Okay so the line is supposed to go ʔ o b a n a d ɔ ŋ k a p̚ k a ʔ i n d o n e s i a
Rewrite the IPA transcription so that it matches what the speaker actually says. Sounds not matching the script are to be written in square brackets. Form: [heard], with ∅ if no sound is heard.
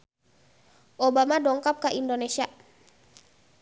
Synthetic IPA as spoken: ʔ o b a [m] a d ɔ ŋ k a p̚ k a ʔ i n d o n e s i a